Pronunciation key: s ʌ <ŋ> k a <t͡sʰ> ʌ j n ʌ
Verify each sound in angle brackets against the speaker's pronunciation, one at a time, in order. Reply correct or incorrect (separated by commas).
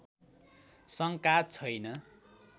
correct, correct